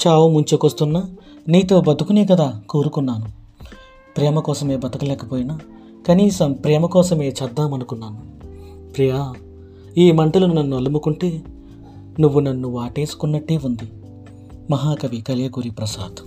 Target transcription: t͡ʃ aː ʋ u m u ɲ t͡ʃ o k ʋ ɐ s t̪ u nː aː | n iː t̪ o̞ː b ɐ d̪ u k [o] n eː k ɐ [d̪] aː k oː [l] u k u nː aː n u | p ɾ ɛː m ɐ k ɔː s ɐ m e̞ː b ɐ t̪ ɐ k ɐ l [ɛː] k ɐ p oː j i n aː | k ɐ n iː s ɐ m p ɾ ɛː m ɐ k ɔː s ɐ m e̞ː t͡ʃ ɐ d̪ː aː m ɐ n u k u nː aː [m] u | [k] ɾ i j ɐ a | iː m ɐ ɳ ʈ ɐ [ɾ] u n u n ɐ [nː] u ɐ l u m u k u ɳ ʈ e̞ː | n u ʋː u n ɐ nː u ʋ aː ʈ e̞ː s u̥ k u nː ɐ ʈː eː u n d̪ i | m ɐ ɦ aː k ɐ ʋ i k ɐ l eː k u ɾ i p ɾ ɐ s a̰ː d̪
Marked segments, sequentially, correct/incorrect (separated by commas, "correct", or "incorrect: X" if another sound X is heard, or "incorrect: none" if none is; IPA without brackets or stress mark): incorrect: u, correct, incorrect: ɾ, correct, incorrect: n, incorrect: p, incorrect: l, correct